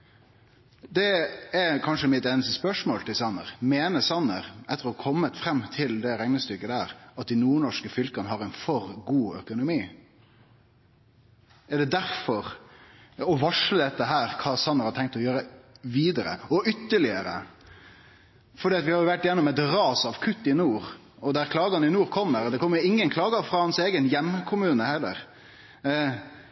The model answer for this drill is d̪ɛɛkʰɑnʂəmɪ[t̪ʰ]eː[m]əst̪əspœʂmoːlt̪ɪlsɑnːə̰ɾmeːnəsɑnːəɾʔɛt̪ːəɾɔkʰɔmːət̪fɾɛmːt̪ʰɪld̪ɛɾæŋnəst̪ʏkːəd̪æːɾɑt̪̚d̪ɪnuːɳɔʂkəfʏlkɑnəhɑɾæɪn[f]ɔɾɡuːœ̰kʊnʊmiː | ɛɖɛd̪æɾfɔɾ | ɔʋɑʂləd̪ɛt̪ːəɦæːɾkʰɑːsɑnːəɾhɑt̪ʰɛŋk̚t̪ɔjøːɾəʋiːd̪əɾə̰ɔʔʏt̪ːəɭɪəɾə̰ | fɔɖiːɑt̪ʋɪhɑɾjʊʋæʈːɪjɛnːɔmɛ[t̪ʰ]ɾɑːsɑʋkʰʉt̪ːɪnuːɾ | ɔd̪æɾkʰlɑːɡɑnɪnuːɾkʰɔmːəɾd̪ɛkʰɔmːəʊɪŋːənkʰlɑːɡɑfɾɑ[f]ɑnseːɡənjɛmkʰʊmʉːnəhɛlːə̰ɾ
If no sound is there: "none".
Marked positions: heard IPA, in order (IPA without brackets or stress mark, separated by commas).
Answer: t̪, n, f, t̪, h